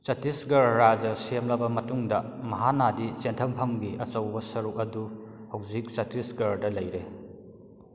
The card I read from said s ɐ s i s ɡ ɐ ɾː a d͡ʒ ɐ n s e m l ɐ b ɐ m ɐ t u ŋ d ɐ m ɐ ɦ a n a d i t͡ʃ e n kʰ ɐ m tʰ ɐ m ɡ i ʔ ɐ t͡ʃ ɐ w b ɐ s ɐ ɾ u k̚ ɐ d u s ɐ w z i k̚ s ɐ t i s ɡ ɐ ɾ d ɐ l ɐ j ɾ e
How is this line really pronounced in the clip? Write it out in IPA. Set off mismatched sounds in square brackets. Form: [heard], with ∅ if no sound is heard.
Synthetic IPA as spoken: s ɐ [t] i s ɡ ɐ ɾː a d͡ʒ ɐ [∅] s e m l ɐ b ɐ m ɐ t u ŋ d ɐ m ɐ ɦ a n a d i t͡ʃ e n [tʰ] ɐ m [pʰ] ɐ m ɡ i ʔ ɐ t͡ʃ ɐ w b ɐ s ɐ ɾ u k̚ ɐ d u [h] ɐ w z i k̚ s ɐ t i s ɡ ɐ ɾ d ɐ l ɐ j ɾ e

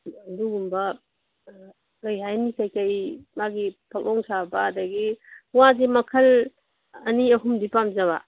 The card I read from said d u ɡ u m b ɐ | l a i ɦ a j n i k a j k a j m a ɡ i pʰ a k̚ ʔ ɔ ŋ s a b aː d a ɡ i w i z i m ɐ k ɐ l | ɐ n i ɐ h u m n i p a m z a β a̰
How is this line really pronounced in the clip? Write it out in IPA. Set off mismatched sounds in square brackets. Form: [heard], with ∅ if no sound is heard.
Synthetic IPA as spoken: d u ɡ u m b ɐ | l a [j] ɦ a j n i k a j k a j m a ɡ i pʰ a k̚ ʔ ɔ ŋ s a b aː d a ɡ i w [a] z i m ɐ [kʰ] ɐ l | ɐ n i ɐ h u m [d] i p a m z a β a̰

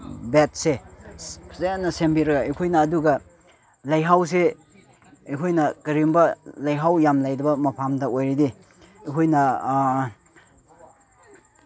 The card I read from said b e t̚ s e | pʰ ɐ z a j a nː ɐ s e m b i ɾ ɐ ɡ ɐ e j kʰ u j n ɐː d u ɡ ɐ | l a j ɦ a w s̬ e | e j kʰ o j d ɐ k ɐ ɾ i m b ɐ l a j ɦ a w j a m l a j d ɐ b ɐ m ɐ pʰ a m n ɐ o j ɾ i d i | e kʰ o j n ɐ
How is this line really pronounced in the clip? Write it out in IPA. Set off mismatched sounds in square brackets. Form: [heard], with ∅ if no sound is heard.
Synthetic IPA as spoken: b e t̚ s e | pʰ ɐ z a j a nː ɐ s e m b i ɾ ɐ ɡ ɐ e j kʰ [o] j n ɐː d u ɡ ɐ | l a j ɦ a w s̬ e | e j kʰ o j [n] ɐ k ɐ ɾ i m b ɐ l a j ɦ a w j a m l a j d ɐ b ɐ m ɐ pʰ a m [d] ɐ o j ɾ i d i | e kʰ o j n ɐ

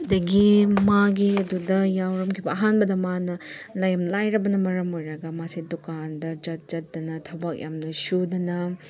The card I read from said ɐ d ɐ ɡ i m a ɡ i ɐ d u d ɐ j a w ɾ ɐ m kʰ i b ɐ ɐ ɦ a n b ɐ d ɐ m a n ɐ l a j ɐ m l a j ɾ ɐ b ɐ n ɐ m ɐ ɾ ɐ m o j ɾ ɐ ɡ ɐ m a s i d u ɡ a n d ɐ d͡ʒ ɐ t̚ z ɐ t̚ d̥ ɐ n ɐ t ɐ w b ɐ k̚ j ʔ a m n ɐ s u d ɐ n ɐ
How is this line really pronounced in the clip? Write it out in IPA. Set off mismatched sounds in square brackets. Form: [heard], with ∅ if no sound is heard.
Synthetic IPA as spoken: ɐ d ɐ ɡ i m a ɡ i ɐ d u d ɐ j a w ɾ ɐ m kʰ i b ɐ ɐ ɦ a n b ɐ d ɐ m a n ɐ l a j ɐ m l a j ɾ ɐ b ɐ n ɐ m ɐ ɾ ɐ m o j ɾ ɐ ɡ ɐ m a s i d u [k] a n d ɐ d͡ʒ ɐ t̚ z ɐ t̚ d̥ ɐ n ɐ [tʰ] ɐ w b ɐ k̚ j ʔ a m n ɐ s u d ɐ n ɐ

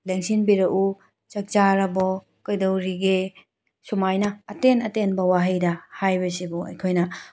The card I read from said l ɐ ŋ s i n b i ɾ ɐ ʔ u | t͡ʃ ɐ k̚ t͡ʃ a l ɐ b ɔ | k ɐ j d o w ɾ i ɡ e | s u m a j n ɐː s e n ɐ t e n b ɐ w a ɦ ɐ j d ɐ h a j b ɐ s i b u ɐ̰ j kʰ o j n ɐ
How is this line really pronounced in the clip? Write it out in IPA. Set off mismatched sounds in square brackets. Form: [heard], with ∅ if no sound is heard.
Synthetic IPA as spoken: l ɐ ŋ s i n b i ɾ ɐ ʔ u | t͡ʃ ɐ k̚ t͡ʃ a [ɾ] ɐ b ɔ | k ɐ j d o w ɾ i ɡ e | s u m a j n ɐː [t] e n ɐ t e n b ɐ w a ɦ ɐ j d ɐ h a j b ɐ s i b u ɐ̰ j kʰ o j n ɐ

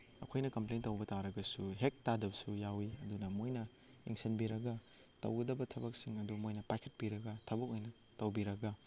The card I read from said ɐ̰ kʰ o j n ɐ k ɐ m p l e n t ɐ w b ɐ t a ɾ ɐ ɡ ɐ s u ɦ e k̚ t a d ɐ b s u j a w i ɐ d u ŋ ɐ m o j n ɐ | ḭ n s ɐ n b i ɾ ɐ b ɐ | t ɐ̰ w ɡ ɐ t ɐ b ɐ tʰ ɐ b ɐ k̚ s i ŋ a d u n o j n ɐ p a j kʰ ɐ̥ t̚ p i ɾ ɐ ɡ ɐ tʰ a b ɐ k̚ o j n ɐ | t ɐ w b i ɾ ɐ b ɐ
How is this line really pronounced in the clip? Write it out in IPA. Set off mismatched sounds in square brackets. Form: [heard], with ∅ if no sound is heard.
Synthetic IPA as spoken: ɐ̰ kʰ o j n ɐ k ɐ m p l e n t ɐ w b ɐ t a ɾ ɐ ɡ ɐ s u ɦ e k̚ t a d ɐ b s u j a w i ɐ d u [n] ɐ m o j n ɐ | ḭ [ŋ] s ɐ n b i ɾ ɐ [ɡ] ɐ | t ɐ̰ w ɡ ɐ [d] ɐ b ɐ tʰ ɐ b ɐ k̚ s i ŋ [ɐ] d u [m] o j n ɐ p a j kʰ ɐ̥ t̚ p i ɾ ɐ ɡ ɐ tʰ [ɐ] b ɐ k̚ o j n ɐ | t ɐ w b i ɾ ɐ [ɡ] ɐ

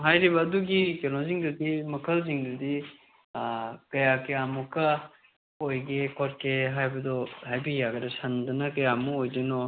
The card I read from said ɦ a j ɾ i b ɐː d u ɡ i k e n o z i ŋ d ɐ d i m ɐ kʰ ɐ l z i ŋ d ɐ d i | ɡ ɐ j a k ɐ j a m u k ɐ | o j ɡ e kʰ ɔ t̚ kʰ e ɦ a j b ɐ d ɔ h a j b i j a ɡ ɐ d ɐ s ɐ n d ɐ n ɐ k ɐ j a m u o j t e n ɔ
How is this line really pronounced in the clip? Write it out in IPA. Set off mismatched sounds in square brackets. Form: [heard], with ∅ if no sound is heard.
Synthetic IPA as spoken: ɦ a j ɾ i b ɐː d u ɡ i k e n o z i ŋ d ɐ d i m ɐ kʰ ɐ l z i ŋ d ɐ d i | [k] ɐ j a k ɐ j a m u k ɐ | o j ɡ e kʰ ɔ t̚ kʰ e ɦ a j b ɐ d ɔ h a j b i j a ɡ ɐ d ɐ s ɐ n d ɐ n ɐ k ɐ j a m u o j [d] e n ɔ

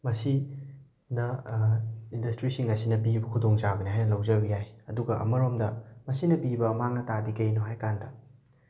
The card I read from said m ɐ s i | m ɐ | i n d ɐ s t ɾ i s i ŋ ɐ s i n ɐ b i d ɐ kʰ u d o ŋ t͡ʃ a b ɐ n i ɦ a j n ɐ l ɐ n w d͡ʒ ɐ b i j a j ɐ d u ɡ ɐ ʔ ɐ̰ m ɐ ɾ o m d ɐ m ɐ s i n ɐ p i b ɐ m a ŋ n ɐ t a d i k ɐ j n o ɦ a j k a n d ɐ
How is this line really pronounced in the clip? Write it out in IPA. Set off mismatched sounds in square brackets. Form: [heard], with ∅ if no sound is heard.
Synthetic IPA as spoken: m ɐ s i | [n] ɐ | i n d ɐ s t ɾ i s i ŋ ɐ s i n ɐ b i [b] ɐ kʰ u d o ŋ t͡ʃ a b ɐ n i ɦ a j n ɐ l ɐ [∅] w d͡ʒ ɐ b i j a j ɐ d u ɡ ɐ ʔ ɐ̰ m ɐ ɾ o m d ɐ m ɐ s i n ɐ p i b ɐ m a ŋ n ɐ t a d i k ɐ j n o ɦ a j k a n d ɐ

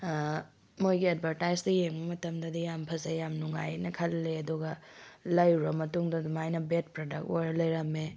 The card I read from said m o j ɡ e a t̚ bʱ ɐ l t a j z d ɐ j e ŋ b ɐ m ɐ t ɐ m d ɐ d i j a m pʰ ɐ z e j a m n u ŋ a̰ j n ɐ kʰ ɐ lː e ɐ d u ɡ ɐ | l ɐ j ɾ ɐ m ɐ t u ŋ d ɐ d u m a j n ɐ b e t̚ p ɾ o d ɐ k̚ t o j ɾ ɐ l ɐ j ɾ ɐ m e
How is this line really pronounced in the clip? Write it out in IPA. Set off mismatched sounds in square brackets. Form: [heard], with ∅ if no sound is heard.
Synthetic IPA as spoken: m o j ɡ [i] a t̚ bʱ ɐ [ɾ] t a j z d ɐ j e ŋ b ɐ m ɐ t ɐ m d ɐ d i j a m pʰ ɐ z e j a m n u ŋ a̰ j n ɐ kʰ ɐ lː e ɐ d u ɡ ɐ | l ɐ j ɾ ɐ m ɐ t u ŋ d ɐ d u m a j n ɐ b e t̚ p ɾ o d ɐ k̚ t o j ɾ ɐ l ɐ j ɾ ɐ m e

